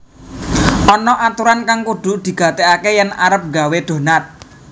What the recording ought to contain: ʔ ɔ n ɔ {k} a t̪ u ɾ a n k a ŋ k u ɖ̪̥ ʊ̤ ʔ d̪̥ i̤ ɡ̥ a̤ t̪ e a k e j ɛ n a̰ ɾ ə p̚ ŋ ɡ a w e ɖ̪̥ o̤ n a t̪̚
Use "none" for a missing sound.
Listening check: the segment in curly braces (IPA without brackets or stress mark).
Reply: ʔ